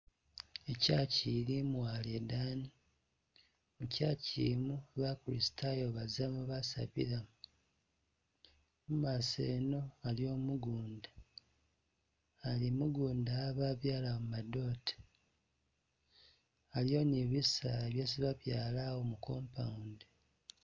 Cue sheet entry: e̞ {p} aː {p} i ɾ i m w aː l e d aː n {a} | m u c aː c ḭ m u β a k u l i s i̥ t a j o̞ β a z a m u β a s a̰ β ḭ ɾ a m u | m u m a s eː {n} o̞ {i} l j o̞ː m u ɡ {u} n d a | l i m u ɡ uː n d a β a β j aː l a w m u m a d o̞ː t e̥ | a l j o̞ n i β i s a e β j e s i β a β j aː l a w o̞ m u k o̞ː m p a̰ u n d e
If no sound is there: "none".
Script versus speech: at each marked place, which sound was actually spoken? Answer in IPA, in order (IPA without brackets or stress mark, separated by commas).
c, c, i, n, a, uː